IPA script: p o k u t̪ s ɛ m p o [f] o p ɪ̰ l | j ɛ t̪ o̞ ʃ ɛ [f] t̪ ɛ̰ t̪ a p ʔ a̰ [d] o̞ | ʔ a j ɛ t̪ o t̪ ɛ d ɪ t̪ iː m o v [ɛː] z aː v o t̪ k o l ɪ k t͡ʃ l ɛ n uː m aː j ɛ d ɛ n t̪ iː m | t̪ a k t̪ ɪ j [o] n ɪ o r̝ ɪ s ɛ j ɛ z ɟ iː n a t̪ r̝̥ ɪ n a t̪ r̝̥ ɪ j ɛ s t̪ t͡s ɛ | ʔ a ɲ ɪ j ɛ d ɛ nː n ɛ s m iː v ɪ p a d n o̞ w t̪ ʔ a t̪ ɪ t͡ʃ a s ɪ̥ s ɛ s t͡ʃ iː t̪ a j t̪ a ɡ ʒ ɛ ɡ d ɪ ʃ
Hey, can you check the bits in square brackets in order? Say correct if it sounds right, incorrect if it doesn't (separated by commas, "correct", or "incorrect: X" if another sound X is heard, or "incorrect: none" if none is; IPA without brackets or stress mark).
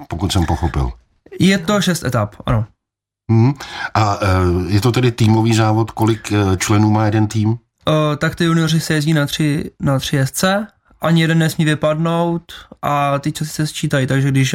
incorrect: x, incorrect: s, incorrect: n, incorrect: iː, incorrect: u